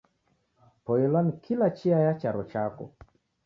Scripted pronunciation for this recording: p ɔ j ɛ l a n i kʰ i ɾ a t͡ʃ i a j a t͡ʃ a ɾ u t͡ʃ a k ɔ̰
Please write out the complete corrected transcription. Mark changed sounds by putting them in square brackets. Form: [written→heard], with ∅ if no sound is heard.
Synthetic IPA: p ɔ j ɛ l a n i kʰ i [ɾ→l] a t͡ʃ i a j a t͡ʃ a ɾ [u→ɔ] t͡ʃ a k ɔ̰